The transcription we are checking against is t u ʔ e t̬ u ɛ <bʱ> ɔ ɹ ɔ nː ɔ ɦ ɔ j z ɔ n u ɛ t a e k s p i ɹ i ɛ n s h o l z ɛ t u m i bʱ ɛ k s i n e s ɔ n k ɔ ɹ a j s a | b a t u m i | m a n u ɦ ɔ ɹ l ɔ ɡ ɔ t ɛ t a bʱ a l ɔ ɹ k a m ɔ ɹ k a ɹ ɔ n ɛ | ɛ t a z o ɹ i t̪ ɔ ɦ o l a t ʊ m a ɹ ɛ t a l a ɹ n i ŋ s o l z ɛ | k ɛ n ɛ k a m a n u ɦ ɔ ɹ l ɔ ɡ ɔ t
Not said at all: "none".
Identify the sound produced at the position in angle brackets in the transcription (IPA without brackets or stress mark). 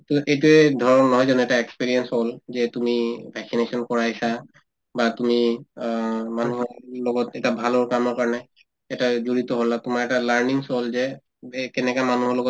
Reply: dʱ